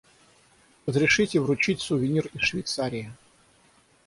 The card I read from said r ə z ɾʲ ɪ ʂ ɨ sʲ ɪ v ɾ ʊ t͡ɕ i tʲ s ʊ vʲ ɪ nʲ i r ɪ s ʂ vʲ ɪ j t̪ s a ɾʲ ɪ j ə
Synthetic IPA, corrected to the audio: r ə z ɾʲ ɪ ʂ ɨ tʲ ɪ v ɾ ʊ t͡ɕ i tʲ s ʊ vʲ ɪ nʲ i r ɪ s ʂ vʲ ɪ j t̪ s a ɾʲ ɪ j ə